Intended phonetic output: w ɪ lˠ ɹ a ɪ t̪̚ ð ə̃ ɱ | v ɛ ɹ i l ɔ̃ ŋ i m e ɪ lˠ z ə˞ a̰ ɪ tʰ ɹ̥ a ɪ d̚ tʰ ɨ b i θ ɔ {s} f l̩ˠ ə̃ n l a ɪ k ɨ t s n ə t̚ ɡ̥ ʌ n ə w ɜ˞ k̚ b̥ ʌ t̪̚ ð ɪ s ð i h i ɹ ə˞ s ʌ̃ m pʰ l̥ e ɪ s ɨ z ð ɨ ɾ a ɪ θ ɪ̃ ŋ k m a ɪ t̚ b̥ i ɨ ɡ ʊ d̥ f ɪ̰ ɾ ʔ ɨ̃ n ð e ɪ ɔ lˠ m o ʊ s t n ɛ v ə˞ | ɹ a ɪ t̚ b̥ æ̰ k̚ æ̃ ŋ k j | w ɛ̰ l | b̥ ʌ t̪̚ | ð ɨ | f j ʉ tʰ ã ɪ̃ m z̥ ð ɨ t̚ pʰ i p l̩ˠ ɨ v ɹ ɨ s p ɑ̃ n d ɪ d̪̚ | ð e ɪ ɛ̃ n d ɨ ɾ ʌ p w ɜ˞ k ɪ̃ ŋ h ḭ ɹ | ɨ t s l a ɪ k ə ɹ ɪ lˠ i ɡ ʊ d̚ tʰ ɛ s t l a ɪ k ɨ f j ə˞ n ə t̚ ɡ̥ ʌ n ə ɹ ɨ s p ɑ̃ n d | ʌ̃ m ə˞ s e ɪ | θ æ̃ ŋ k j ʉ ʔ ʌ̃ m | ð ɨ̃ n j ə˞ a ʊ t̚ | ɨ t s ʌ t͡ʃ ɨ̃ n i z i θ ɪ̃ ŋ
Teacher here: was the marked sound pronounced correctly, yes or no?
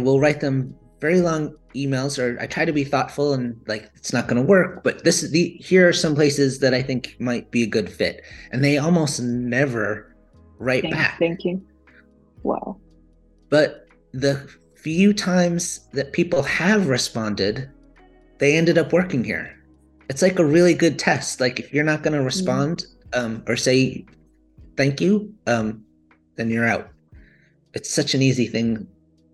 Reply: no